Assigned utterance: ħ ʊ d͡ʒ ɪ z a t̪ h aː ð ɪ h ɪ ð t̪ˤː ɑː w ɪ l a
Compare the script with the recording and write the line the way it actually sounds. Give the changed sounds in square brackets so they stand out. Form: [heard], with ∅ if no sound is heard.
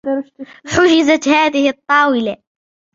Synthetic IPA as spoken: ħ ʊ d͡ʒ ɪ z a t̪ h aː ð ɪ h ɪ [∅] t̪ˤː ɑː w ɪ l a